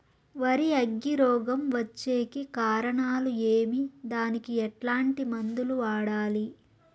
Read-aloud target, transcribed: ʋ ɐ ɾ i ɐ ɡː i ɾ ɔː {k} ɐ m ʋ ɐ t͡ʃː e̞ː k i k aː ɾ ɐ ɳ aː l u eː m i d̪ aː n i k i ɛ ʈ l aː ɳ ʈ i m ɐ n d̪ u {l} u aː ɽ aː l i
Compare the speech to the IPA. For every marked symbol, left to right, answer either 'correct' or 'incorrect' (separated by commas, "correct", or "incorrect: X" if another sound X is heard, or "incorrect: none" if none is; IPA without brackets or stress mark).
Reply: incorrect: ɡ, correct